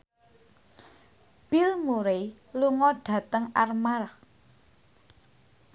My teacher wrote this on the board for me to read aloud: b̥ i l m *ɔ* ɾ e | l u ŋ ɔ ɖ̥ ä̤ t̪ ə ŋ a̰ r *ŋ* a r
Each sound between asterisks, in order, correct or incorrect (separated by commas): incorrect, incorrect